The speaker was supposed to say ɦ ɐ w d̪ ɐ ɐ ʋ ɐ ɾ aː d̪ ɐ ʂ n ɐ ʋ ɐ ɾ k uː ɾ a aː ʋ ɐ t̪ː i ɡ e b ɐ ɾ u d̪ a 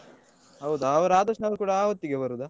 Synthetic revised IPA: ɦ ɐ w d̪ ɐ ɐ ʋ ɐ ɾ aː d̪ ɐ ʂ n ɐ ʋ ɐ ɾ k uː ɽ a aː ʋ ɐ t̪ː i ɡ e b ɐ ɾ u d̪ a